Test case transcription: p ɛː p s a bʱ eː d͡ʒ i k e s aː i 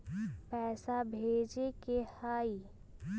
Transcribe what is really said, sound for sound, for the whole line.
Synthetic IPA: p ɛː s a bʱ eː d͡ʒ e k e h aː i